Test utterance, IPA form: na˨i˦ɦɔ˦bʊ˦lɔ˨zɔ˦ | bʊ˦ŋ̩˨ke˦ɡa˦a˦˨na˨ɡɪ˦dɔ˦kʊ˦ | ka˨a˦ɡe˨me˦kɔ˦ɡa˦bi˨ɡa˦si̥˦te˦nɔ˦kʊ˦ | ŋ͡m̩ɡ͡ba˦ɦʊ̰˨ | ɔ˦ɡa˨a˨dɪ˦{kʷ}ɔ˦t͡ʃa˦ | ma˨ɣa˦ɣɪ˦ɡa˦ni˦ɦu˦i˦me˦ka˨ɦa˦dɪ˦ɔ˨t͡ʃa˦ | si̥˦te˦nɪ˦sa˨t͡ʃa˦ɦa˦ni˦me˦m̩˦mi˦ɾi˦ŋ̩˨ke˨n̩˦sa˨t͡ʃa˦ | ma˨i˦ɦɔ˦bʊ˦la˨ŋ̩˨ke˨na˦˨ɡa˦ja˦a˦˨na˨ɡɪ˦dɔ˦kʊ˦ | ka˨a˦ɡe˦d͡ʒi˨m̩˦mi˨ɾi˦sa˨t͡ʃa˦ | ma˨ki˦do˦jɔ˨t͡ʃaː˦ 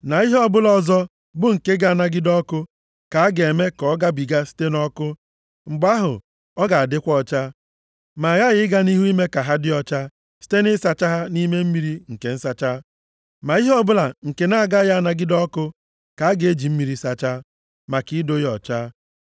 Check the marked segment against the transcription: correct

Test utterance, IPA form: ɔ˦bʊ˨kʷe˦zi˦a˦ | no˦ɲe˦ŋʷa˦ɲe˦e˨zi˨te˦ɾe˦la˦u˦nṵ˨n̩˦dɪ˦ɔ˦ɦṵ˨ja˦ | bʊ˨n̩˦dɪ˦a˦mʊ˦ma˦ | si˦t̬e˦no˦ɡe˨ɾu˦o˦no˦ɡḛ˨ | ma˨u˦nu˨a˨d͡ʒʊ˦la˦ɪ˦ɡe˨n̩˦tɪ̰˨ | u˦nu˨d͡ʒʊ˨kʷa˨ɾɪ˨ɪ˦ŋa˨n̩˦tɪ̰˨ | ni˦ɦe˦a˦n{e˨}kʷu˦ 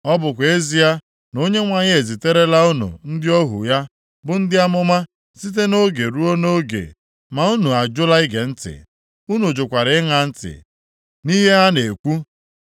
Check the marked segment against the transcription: correct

